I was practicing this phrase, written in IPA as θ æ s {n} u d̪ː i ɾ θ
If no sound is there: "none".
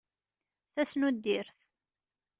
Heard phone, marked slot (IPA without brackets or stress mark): n